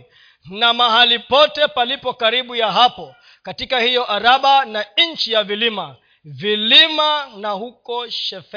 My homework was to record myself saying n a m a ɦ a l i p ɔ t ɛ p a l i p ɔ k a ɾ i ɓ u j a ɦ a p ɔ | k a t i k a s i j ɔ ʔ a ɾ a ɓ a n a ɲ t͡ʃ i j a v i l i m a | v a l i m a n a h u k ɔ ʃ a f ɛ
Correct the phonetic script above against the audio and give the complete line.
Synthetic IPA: n a m a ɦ a l i p ɔ t ɛ p a l i p ɔ k a ɾ i ɓ u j a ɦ a p ɔ | k a t i k a h i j ɔ ʔ a ɾ a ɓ a n a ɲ t͡ʃ i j a v i l i m a | v i l i m a n a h u k ɔ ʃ ɛ f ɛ